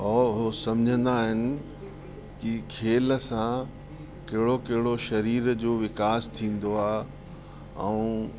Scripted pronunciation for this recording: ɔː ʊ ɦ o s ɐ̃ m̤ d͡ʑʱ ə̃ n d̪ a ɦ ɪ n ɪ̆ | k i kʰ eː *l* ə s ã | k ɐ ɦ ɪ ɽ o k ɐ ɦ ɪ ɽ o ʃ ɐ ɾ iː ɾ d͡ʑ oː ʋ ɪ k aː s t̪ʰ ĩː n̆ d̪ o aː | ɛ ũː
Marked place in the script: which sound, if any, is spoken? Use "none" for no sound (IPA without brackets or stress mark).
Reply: l